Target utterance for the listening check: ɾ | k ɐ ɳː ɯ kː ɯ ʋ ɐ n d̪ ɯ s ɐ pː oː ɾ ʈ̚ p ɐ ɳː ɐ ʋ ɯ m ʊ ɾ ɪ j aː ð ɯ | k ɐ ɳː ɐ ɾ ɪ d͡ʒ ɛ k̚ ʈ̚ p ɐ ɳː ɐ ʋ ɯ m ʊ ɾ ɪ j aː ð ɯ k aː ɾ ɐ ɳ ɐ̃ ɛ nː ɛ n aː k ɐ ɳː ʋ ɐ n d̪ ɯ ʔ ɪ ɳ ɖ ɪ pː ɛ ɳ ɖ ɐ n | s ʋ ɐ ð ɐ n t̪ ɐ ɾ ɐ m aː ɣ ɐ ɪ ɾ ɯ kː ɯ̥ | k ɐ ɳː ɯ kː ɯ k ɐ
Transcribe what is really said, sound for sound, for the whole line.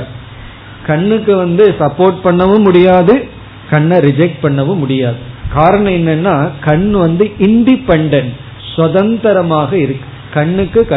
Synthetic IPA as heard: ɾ | k ɐ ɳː ɯ kː ɯ ʋ ɐ n d̪ ɯ s ɐ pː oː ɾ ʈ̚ p ɐ ɳː ɐ ʋ ɯ m ʊ ɽ ɪ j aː ð ɯ | k ɐ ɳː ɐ ɾ ɪ d͡ʒ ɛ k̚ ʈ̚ p ɐ ɳː ɐ ʋ ɯ m ʊ ɽ ɪ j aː ð ɯ k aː ɾ ɐ ɳ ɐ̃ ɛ nː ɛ nː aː k ɐ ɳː ʋ ɐ n d̪ ɯ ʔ ɪ ɳ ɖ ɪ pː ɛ ɳ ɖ ɐ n | s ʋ ɐ ð ɐ n t̪ ɐ ɾ ɐ m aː ɣ ɐ ɪ ɾ ɯ kː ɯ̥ | k ɐ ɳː ɯ kː ɯ k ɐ